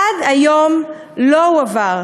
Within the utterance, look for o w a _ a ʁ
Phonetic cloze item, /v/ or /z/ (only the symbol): v